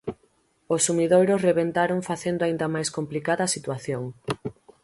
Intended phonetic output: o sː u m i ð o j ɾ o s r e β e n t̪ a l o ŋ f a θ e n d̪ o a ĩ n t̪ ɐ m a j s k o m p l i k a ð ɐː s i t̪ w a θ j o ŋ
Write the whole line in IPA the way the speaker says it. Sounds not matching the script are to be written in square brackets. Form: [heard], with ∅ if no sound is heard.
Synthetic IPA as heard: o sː u m i ð o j ɾ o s r e β e n t̪ a [ɾ] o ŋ f a θ e n d̪ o a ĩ n [d̪] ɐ m a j s k o m p l i k a ð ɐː s i t̪ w a θ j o ŋ